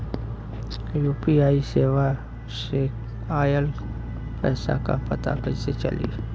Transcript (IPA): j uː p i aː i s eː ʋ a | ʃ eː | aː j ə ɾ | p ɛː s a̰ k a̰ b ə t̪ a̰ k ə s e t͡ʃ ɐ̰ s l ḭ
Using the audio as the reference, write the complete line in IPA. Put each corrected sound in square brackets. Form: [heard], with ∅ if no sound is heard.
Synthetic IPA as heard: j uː p i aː i s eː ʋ a | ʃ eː | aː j ə [l] | p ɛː s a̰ k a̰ [p] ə t̪ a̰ k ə s e t͡ʃ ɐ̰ [∅] l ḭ